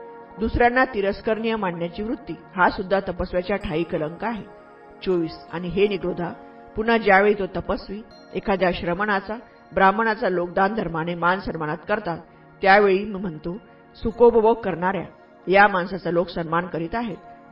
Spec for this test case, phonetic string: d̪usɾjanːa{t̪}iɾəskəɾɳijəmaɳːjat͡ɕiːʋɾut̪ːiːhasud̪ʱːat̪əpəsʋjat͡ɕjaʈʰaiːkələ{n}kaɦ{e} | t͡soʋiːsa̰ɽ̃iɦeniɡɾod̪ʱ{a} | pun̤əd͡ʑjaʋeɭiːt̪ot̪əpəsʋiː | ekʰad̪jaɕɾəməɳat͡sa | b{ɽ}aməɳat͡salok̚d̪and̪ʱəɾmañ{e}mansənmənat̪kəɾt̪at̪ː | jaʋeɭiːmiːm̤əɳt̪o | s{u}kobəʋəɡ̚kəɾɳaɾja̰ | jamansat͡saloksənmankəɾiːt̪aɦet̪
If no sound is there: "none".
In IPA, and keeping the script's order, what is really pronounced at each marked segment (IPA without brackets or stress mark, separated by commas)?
t̪, ŋ, e, a, ɾ, e, u